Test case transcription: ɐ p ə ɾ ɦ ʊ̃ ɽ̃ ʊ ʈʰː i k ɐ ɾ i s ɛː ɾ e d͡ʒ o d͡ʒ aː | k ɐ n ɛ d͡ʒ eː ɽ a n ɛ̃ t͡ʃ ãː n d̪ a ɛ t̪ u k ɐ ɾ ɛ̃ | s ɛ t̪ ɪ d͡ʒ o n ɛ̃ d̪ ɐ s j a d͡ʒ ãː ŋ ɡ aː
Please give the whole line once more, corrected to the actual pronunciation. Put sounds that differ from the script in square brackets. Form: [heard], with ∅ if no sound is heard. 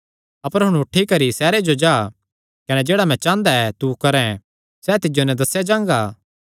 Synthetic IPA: ɐ p ə ɾ ɦ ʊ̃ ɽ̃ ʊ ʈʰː i k ɐ ɾ i s ɛː ɾ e d͡ʒ o d͡ʒ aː | k ɐ n ɛ d͡ʒ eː ɽ a [m] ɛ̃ t͡ʃ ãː n d̪ a ɛ t̪ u k ɐ ɾ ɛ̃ | s ɛ t̪ ɪ d͡ʒ o n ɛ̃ d̪ ɐ s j a d͡ʒ ãː ŋ ɡ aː

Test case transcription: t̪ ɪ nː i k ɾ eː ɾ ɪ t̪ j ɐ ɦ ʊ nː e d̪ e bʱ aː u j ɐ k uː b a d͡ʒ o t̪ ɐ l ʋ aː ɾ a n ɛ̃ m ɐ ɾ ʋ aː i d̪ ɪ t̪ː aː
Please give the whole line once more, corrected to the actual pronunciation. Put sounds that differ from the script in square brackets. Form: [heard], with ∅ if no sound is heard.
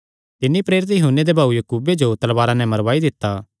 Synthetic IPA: t̪ ɪ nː i [p] ɾ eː ɾ ɪ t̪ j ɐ ɦ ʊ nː e d̪ e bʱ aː u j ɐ k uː b [e] d͡ʒ o t̪ ɐ l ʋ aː ɾ a n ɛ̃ m ɐ ɾ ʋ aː i d̪ ɪ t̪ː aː

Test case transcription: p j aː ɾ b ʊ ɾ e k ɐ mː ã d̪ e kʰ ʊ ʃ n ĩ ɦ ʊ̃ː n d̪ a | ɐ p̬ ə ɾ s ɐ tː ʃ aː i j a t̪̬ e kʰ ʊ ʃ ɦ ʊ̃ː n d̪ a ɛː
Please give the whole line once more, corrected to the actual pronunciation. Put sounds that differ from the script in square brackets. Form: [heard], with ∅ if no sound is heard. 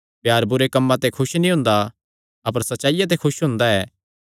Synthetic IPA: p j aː ɾ b ʊ ɾ e k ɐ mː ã [t̪] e kʰ ʊ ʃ n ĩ ɦ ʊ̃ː n d̪ a | ɐ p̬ ə ɾ s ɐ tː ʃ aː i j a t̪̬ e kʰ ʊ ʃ ɦ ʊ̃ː n d̪ a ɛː

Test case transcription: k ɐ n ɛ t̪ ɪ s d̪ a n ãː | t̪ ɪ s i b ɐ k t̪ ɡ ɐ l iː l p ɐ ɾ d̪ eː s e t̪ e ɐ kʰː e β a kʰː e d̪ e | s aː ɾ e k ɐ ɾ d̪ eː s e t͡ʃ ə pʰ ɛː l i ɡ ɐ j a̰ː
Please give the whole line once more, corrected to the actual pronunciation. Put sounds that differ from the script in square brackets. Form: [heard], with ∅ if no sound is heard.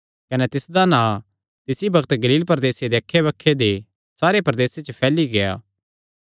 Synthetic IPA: k ɐ n ɛ t̪ ɪ s d̪ a n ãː | t̪ ɪ s i b ɐ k t̪ ɡ ɐ l iː l p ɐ ɾ d̪ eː s e [d̪] e ɐ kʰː e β [ɐ] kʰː e d̪ e | s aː ɾ e [p] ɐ ɾ d̪ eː s e t͡ʃ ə pʰ ɛː l i ɡ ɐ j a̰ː

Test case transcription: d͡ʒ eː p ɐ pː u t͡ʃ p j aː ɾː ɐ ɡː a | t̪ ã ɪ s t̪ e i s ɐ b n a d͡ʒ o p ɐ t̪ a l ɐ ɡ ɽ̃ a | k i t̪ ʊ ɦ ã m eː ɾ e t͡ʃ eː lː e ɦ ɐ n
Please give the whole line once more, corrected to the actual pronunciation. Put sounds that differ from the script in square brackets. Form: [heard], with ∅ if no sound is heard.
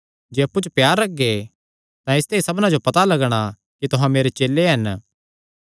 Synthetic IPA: d͡ʒ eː [∅] ɐ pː u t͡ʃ p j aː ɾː ɐ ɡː [e] | t̪ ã ɪ s t̪ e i s ɐ b n a d͡ʒ o p ɐ t̪ a l ɐ ɡ ɽ̃ a | k i t̪ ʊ ɦ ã m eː ɾ e t͡ʃ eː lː e ɦ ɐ n

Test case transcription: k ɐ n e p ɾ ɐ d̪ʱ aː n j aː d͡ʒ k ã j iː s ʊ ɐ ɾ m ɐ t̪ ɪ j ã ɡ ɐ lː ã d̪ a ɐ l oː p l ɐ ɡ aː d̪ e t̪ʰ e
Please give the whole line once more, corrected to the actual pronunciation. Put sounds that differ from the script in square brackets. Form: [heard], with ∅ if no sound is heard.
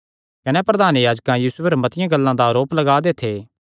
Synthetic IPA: k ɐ n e p ɾ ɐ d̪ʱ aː n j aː d͡ʒ k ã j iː s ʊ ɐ ɾ m ɐ t̪ ɪ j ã ɡ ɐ lː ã d̪ a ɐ [ɾ] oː p l ɐ ɡ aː d̪ e t̪ʰ e

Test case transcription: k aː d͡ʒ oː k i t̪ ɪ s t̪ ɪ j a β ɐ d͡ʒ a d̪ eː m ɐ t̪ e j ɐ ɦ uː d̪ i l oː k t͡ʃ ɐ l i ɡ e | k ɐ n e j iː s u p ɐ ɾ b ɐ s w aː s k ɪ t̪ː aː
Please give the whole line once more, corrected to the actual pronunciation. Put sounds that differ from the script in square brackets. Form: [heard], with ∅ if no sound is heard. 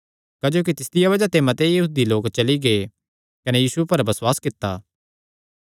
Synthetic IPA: k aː d͡ʒ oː k i t̪ ɪ s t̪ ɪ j a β ɐ d͡ʒ a [t̪] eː m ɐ t̪ e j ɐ ɦ uː d̪ i l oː k t͡ʃ ɐ l i ɡ e | k ɐ n e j iː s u p ɐ ɾ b ɐ s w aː s k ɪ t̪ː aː

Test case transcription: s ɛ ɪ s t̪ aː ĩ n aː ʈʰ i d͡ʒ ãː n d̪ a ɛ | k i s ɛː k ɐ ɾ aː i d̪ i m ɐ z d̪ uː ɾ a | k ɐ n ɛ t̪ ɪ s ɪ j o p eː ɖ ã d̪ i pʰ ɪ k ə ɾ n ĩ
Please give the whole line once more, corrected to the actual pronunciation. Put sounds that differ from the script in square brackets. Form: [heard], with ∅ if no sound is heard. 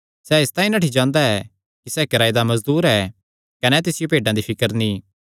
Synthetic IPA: s ɛ ɪ s t̪ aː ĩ n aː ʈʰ i d͡ʒ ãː n d̪ a ɛ | k i s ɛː k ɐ ɾ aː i d̪ [a] m ɐ z d̪ uː ɾ [ɛ] | k ɐ n ɛ t̪ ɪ s ɪ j o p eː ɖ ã d̪ i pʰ ɪ k ə ɾ n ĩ

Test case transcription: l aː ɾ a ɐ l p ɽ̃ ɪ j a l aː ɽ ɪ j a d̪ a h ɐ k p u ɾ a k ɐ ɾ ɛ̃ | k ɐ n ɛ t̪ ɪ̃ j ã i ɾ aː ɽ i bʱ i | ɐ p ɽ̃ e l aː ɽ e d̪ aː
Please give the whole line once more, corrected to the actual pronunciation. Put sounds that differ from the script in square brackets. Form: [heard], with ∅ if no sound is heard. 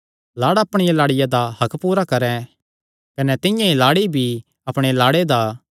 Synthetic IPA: l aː [ɽ] a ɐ [∅] p ɽ̃ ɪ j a l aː ɽ ɪ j a d̪ a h ɐ k p [uː] ɾ a k ɐ ɾ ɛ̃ | k ɐ n ɛ t̪ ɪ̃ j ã i [l] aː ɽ i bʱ i | ɐ p ɽ̃ e l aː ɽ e d̪ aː

